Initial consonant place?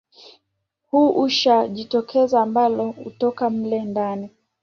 glottal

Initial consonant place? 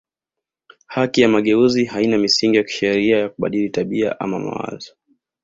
glottal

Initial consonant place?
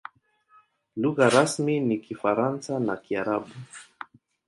alveolar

